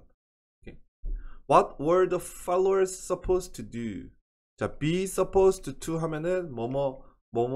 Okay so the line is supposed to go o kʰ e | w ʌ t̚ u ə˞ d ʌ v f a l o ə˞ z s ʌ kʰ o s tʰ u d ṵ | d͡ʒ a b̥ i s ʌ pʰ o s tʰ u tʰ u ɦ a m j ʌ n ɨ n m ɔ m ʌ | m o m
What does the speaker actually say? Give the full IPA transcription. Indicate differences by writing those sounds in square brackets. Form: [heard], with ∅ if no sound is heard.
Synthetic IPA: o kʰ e | w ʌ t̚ [w] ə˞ d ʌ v f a l o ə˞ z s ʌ [pʰ] o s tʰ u d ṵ | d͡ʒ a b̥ i s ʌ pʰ o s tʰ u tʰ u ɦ a m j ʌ n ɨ n m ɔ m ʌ | m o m

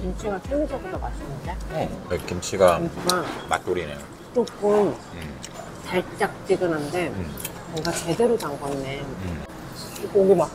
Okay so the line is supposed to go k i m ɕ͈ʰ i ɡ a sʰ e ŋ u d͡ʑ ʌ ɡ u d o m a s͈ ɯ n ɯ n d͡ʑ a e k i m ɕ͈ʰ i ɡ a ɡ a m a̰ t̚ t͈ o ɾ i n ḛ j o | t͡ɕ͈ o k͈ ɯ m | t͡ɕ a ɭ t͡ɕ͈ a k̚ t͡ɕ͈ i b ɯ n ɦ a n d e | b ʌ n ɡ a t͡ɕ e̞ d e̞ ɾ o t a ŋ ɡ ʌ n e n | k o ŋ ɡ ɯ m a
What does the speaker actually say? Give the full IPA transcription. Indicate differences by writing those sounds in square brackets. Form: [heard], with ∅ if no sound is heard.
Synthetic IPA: k i m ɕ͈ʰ i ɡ a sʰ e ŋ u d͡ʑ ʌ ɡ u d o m a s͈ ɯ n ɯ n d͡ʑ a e k i m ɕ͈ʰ i ɡ a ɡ a m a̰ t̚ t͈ o ɾ i n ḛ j o | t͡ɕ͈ o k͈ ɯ m | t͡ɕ a ɭ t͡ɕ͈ a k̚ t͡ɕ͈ i [ɡ] ɯ n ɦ a n d e | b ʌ [ŋ] ɡ a t͡ɕ e̞ d e̞ ɾ o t a ŋ ɡ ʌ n e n | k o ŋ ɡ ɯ m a

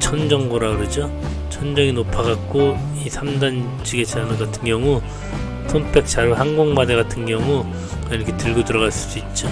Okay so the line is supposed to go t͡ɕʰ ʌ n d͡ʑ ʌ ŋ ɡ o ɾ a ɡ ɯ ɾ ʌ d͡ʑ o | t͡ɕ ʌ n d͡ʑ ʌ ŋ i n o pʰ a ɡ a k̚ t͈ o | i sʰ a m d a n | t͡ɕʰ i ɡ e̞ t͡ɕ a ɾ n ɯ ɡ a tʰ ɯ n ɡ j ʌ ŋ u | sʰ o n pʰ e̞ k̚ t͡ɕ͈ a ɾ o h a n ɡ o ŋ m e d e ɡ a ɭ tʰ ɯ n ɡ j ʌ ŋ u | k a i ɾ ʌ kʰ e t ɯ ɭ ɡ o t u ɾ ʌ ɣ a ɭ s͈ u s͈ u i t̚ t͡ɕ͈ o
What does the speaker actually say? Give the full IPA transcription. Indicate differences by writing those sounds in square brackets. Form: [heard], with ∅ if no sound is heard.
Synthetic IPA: t͡ɕʰ ʌ n d͡ʑ ʌ ŋ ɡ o ɾ a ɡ ɯ ɾ ʌ d͡ʑ o | [t͡ɕʰ] ʌ n d͡ʑ ʌ ŋ i n o pʰ a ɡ a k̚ [k͈] o | i sʰ a m d a n | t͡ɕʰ i ɡ e̞ t͡ɕ a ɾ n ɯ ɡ a tʰ ɯ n ɡ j ʌ ŋ u | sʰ o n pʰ e̞ k̚ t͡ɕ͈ a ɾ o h a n ɡ o ŋ m [a] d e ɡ a [∅] tʰ ɯ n ɡ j ʌ ŋ u | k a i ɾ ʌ kʰ e t ɯ ɭ ɡ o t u ɾ ʌ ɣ a ɭ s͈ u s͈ u i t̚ t͡ɕ͈ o

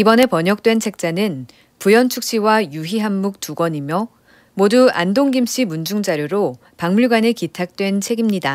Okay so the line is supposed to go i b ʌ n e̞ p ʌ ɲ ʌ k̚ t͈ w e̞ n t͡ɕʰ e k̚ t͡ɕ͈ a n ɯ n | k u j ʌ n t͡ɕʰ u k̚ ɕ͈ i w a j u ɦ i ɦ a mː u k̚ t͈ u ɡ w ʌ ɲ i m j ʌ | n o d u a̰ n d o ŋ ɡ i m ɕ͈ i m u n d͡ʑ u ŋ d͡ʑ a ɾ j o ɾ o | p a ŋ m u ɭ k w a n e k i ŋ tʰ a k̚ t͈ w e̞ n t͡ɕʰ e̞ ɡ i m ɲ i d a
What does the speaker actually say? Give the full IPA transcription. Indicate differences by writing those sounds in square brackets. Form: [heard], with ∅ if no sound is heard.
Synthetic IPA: i b ʌ n e̞ p ʌ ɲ ʌ k̚ t͈ w e̞ n t͡ɕʰ e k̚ t͡ɕ͈ a n ɯ n | [p] u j ʌ n t͡ɕʰ u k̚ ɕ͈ i w a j u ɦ i ɦ a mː u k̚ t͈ u ɡ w ʌ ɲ i m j ʌ | [m] o d u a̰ n d o ŋ ɡ i m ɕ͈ i m u n d͡ʑ u ŋ d͡ʑ a ɾ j o ɾ o | p a ŋ m u ɭ [ɡ] w a n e k i [∅] tʰ a k̚ t͈ w e̞ n t͡ɕʰ e̞ ɡ i m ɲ i d a

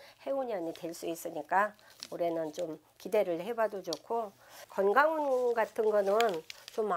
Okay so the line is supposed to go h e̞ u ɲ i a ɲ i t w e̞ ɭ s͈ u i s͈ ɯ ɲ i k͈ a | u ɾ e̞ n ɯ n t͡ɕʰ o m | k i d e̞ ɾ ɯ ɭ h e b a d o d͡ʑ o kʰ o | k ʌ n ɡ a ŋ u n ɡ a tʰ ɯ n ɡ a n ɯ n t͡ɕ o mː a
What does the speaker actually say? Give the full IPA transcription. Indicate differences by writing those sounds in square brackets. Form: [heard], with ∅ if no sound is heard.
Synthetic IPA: h e̞ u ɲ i a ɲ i t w e̞ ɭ s͈ u i s͈ ɯ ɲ i k͈ a | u ɾ e̞ n ɯ n [t͡ɕ] o m | k i d e̞ ɾ ɯ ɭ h e b a d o d͡ʑ o kʰ o | k ʌ n ɡ a ŋ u n ɡ a tʰ ɯ n ɡ [ʌ] n ɯ n t͡ɕ o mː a

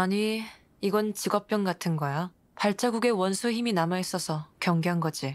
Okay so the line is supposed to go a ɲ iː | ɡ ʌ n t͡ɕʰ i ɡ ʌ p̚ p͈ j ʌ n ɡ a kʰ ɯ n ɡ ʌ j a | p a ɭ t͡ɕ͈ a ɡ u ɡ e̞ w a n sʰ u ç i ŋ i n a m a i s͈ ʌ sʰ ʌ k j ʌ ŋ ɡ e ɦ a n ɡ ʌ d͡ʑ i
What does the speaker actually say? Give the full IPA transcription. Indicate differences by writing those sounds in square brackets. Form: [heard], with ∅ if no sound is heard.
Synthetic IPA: a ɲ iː | ɡ ʌ n [t͡ɕ] i ɡ ʌ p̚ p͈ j ʌ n ɡ a [tʰ] ɯ n ɡ ʌ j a | p a ɭ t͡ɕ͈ a ɡ u ɡ e̞ w [ʌ] n sʰ u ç i [m] i n a m a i s͈ ʌ sʰ ʌ k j ʌ ŋ ɡ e ɦ a n ɡ ʌ d͡ʑ i

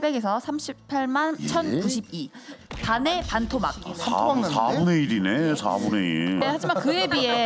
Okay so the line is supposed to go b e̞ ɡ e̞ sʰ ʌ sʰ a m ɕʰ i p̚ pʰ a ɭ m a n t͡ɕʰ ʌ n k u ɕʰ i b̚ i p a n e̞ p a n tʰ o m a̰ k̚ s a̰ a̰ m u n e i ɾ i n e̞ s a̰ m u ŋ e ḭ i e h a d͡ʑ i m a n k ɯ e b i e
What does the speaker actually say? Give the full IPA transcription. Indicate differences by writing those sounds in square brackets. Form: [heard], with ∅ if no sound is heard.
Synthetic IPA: b e̞ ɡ e̞ sʰ ʌ sʰ a m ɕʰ i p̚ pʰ a ɭ m a n t͡ɕʰ ʌ n k u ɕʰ i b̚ i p a n e̞ p a n tʰ o m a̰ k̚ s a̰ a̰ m u n e i ɾ i n e̞ s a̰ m u [n] e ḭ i e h a d͡ʑ i m a n k ɯ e b i e

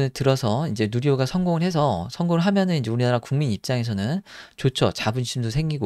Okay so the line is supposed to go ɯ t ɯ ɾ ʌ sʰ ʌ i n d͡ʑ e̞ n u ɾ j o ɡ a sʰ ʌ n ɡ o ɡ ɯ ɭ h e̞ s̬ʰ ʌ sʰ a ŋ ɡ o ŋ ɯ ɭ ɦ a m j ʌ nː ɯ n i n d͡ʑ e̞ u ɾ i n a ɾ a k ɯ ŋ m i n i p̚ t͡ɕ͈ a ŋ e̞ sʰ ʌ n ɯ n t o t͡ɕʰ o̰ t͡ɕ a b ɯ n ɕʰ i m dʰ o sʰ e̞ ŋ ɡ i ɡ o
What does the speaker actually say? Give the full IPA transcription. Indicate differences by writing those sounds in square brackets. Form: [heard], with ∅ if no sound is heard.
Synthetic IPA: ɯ t ɯ ɾ ʌ sʰ ʌ i n d͡ʑ e̞ n u ɾ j o ɡ a sʰ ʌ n ɡ o [ŋ] ɯ ɭ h e̞ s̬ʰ ʌ sʰ [ʌ] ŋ ɡ o ŋ ɯ ɭ ɦ a m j ʌ [n] ɯ n i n d͡ʑ e̞ u ɾ i n a ɾ a k [u] ŋ m i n i p̚ t͡ɕ͈ a ŋ e̞ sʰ ʌ n ɯ n [t͡ɕ] o t͡ɕʰ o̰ t͡ɕ a b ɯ n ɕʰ i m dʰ o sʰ e̞ ŋ ɡ i ɡ o

